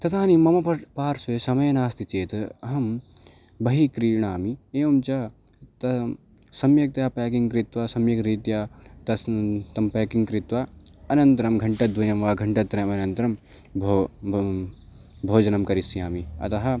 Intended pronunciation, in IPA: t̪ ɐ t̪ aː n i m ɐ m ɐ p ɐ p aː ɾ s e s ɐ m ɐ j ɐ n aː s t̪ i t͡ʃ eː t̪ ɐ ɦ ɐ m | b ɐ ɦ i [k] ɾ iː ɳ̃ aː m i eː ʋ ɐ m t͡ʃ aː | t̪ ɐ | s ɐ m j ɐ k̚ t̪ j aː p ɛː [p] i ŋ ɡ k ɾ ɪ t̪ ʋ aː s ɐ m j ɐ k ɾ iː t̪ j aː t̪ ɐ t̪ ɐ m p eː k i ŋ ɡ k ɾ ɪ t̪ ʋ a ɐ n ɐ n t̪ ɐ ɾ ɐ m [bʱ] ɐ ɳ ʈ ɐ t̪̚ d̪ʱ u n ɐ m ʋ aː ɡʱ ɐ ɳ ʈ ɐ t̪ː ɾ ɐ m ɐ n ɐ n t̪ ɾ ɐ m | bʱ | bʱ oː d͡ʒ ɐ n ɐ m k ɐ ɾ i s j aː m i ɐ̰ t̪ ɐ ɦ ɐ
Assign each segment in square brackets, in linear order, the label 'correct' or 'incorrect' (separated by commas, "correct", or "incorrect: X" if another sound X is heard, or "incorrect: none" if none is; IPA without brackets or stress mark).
correct, incorrect: k, incorrect: ɡʱ